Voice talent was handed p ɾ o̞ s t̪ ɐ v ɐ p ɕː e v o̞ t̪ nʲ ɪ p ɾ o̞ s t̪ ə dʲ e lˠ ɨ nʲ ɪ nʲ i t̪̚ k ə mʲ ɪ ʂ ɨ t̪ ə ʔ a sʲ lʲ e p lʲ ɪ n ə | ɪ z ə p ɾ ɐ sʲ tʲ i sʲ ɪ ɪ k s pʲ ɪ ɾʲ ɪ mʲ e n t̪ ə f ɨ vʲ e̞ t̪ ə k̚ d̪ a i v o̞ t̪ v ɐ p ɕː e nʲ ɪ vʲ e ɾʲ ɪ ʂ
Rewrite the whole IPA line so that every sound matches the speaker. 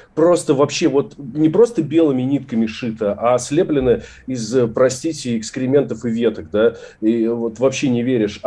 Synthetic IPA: p ɾ o̞ s t̪ ə v ɐ p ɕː e v o̞ t̪ nʲ ɪ p ɾ o̞ s t̪ ə bʲ e lˠ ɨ mʲ ɪ nʲ i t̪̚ k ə mʲ ɪ ʂ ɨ t̪ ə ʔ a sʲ lʲ e p lʲ ɪ n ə | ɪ z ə p ɾ ɐ sʲ tʲ i tʲ ɪ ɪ k s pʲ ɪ ɾʲ ɪ mʲ e n t̪ ə f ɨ vʲ e̞ t̪ ə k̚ d̪ a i v o̞ t̪ v ɐ p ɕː e nʲ ɪ vʲ e ɾʲ ɪ ʂ